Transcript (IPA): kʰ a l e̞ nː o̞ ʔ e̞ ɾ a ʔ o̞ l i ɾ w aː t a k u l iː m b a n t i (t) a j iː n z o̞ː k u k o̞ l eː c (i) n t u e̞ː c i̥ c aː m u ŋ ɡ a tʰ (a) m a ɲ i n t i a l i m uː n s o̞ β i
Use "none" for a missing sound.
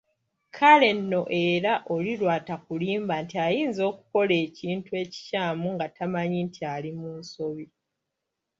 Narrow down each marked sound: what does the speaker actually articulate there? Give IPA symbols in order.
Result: none, iː, a

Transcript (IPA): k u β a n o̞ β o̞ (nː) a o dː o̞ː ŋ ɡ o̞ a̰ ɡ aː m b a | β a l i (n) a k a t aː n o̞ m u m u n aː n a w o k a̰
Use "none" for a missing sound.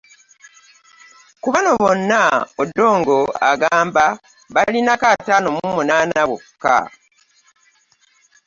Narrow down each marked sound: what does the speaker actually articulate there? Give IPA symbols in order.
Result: nː, n

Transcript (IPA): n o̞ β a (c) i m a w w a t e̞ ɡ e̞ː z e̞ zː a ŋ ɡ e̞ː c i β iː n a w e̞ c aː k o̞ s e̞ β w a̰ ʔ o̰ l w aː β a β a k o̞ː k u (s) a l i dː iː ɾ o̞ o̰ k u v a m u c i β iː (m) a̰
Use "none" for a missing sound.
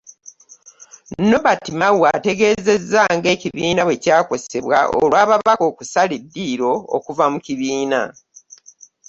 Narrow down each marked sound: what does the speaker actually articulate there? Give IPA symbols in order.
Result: t, s, n

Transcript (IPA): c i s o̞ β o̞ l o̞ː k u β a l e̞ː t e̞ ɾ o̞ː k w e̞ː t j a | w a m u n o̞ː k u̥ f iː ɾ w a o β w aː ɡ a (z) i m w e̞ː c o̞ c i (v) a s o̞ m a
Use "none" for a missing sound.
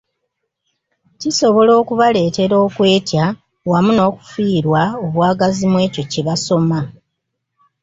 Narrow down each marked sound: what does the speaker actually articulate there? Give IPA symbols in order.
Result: z, β

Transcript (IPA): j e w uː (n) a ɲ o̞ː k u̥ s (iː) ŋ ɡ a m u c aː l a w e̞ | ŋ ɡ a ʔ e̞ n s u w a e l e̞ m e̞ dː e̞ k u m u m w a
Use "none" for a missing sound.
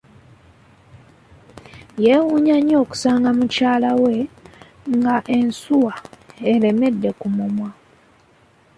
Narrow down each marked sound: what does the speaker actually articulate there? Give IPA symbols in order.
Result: ɲ, aː

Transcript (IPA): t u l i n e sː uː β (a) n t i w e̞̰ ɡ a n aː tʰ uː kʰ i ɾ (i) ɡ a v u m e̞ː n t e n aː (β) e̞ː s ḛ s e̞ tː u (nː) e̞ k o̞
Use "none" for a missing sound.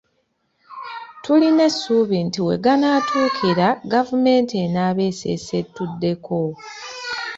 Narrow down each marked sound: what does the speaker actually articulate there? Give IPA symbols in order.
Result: i, a, β, dː

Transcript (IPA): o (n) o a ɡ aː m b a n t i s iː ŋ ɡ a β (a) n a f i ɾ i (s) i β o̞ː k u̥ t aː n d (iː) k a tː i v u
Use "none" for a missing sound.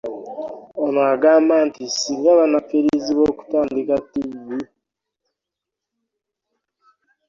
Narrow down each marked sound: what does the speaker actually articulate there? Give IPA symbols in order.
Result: n, a, z, i

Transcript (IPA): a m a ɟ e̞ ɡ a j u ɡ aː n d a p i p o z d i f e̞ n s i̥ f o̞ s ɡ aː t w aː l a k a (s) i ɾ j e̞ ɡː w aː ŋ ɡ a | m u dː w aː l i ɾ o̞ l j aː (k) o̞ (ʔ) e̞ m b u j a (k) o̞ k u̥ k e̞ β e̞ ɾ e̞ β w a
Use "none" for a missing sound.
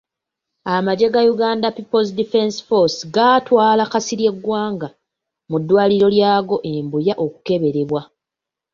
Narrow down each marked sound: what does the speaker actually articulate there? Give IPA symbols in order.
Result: s, ɡ, ʔ, ʔ

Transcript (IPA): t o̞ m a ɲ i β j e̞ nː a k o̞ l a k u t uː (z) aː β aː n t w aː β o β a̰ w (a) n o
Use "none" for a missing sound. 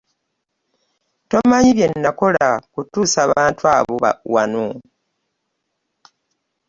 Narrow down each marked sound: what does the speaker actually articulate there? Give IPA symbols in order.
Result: s, a

